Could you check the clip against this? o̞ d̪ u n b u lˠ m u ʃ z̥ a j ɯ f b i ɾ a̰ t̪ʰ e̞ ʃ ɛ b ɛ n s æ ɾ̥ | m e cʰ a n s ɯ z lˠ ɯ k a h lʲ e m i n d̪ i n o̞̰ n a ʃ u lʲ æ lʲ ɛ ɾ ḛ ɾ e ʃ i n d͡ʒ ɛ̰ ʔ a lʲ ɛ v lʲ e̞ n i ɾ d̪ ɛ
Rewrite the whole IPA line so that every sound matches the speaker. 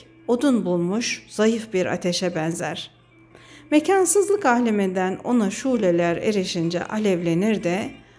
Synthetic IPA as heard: o̞ d̪ u n b u lˠ m u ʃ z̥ a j ɯ f b i ɾ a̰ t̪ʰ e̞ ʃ ɛ b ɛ n z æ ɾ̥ | m e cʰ a n s ɯ z lˠ ɯ k a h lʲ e m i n d̪ æ n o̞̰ n a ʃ u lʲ e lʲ æ ɾ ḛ ɾ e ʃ i n d͡ʒ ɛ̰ ʔ a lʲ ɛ v lʲ e̞ n i ɾ d̪ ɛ